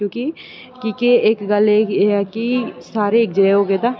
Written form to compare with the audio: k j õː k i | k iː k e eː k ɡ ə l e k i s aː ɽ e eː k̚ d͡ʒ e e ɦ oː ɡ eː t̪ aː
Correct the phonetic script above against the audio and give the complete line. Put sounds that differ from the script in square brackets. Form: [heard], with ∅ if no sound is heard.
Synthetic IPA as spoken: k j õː k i | k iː k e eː k ɡ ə l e k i s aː [ɾ] e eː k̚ d͡ʒ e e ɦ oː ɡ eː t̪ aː